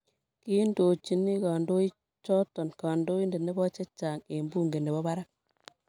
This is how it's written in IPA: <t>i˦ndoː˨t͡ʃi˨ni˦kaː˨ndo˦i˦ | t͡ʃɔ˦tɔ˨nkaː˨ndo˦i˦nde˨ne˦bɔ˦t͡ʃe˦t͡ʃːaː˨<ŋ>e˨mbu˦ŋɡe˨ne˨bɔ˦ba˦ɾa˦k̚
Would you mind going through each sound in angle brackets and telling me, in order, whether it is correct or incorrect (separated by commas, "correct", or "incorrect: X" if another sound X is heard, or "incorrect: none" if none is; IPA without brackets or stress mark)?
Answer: incorrect: k, correct